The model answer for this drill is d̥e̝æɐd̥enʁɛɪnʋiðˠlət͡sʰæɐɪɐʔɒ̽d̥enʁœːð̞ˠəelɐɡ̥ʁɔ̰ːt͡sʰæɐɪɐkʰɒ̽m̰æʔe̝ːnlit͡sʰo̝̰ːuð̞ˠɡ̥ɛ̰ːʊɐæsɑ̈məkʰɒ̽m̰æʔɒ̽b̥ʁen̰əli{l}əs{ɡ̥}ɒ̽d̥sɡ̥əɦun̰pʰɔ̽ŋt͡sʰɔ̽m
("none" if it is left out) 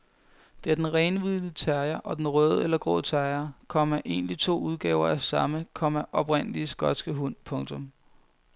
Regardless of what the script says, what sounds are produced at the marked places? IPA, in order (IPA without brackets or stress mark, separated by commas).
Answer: none, ɡ̥